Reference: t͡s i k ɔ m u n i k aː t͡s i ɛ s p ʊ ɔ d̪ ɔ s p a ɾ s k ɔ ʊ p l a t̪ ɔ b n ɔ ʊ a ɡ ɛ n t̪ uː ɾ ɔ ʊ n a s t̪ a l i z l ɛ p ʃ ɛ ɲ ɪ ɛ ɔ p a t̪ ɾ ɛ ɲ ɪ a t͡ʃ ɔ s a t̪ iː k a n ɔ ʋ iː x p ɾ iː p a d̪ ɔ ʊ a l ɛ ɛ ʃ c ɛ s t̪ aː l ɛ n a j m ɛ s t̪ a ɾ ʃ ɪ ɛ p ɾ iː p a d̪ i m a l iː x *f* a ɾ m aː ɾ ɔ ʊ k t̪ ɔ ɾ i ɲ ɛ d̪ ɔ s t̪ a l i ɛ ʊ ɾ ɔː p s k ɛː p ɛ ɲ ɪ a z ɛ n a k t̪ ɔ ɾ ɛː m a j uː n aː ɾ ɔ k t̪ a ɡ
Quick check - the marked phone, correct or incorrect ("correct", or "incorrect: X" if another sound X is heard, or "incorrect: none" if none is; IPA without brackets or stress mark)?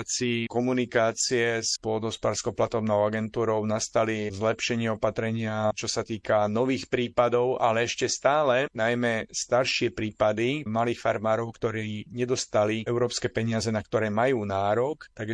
correct